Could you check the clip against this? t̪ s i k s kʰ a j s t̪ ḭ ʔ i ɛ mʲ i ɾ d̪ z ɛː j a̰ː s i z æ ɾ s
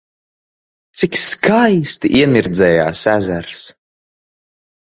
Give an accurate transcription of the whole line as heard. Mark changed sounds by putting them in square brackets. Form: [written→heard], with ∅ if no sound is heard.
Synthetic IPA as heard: t̪ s i k s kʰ a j s t̪ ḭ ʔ i ɛ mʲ i ɾ d̪ z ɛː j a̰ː s [i→æ] z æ ɾ s